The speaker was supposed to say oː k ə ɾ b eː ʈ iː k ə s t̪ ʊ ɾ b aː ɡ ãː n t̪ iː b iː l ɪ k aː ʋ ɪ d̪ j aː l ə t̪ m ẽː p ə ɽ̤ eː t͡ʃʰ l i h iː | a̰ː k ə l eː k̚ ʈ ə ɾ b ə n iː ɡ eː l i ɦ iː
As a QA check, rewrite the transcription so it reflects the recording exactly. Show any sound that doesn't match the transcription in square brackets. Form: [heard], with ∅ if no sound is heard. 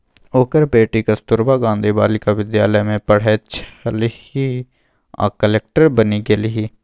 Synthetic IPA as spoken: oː k ə ɾ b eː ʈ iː k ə s t̪ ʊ ɾ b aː ɡ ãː n [d̪] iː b [aː] l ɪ k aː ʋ ɪ d̪ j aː l ə [∅] m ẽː p ə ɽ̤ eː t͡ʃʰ l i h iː | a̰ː k ə l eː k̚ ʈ ə ɾ b ə n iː ɡ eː l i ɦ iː